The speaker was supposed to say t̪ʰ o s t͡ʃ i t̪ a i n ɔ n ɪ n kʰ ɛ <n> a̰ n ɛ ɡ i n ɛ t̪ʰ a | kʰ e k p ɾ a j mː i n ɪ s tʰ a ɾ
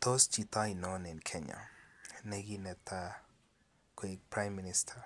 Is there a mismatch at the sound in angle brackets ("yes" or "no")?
yes